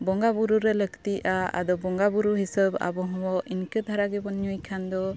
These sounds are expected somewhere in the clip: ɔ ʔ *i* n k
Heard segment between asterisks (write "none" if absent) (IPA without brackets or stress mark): i